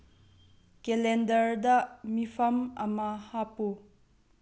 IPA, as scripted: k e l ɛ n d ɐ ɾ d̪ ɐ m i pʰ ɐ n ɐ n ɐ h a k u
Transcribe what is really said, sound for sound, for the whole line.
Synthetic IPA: k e l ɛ n d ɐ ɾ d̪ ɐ m i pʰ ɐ m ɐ m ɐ h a p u

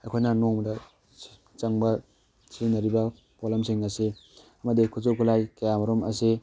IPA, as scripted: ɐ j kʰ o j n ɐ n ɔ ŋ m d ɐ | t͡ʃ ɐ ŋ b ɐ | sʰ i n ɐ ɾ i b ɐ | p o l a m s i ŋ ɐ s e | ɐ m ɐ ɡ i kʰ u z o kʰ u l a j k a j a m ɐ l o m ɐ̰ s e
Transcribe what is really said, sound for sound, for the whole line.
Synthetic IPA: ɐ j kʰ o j n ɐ n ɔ ŋ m d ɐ | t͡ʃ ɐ ŋ b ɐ | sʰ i n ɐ ɾ i b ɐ | p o l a m s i ŋ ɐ s e | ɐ m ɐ d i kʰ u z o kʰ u l a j k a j a m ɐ ɾ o m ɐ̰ s e

